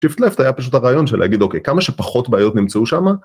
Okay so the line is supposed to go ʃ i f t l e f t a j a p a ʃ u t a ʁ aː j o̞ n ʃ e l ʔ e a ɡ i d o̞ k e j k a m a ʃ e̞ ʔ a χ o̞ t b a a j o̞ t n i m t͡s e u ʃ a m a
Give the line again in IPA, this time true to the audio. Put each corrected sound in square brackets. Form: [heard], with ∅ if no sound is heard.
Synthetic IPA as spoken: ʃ i f t l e f t a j a p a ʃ u t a ʁ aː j o̞ n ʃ e l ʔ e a ɡ i d o̞ k e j k a m a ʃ e̞ [p] a χ o̞ t b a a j o̞ t n i m t͡s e u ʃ a m a

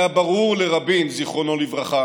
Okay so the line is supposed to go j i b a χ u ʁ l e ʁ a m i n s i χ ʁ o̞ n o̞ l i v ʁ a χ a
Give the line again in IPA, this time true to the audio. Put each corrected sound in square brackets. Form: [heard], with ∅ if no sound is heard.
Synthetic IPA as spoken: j [a] b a [ʁ] u ʁ l e ʁ a [b] i n [z] i χ ʁ o̞ n o̞ l i v ʁ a χ a

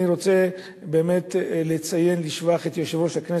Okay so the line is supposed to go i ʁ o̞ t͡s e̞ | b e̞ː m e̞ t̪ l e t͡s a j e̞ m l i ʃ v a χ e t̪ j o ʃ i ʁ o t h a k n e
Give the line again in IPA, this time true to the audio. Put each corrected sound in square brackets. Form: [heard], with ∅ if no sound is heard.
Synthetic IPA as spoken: i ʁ o̞ t͡s e̞ | b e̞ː m e̞ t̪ l e t͡s a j e̞ [n] l i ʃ v a χ e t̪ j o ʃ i [v] o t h a k n e

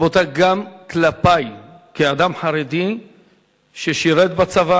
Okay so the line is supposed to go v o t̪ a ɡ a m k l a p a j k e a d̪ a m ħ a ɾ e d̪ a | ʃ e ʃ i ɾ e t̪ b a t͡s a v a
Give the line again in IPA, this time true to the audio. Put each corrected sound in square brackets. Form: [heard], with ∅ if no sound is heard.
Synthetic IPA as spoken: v o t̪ a ɡ a m k l a p a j k e a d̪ a m ħ a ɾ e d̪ [i] | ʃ e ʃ i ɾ e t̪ b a t͡s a v a

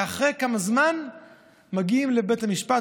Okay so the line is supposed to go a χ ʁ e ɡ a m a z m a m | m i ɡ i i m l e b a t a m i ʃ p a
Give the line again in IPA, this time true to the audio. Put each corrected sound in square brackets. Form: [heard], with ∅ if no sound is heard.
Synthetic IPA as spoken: a χ ʁ e [k] a m a z m a [n] | m [a] ɡ i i m l e b [e] t a m i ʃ p a

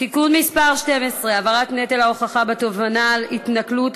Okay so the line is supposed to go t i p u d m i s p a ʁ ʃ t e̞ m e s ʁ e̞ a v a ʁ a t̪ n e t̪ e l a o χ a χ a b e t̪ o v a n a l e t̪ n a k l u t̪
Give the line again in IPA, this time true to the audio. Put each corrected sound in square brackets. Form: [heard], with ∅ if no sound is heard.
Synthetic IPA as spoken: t i [k] u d m i s p a ʁ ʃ t e̞ m e s ʁ e̞ a v a ʁ a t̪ n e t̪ e l a o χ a χ a b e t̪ o v a n a l [i] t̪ n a k l u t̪

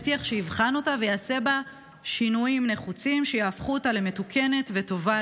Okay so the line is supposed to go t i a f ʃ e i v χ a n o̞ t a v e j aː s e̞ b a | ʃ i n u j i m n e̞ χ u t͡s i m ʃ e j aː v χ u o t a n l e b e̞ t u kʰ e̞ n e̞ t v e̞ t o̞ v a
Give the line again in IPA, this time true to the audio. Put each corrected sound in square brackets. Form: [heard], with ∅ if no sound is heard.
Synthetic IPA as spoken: t i a [χ] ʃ e i v χ a n o̞ t a v e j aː s e̞ b a | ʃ i n u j i m n e̞ χ u t͡s i m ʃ e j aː [f] χ u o t a [∅] l e [m] e̞ t u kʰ e̞ n e̞ t v e̞ t o̞ v a

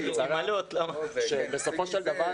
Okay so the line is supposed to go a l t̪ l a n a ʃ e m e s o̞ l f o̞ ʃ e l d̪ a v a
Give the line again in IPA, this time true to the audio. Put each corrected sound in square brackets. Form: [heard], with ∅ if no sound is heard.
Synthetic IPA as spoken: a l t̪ l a [m] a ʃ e [b] e s o̞ [∅] f o̞ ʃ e l d̪ a v a

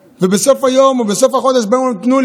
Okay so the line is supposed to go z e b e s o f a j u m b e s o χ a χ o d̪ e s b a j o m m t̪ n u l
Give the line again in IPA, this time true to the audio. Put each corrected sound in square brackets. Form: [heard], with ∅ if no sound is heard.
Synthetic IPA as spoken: [v] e b e s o f a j [o] m b e s o [f] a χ o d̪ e [ʃ] b a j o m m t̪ n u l

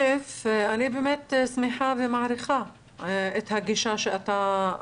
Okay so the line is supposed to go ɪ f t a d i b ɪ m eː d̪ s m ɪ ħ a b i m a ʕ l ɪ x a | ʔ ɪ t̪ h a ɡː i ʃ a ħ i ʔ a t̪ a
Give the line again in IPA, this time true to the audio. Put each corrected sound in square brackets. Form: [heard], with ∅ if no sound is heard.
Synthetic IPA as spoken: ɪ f [ʔ] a [n] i b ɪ m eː [t̪] s m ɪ ħ a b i m a ʕ [ɾ] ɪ x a | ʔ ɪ t̪ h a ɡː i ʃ a [ʃ] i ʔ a t̪ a

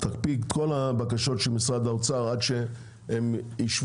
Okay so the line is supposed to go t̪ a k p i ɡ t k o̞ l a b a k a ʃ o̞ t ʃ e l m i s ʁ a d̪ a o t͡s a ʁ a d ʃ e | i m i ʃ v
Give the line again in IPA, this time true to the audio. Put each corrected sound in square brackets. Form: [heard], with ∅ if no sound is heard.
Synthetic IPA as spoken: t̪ a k p i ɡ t k o̞ l a b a k a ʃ o̞ t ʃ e l m i s ʁ a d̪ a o t͡s a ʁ a d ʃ e | [e] m i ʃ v

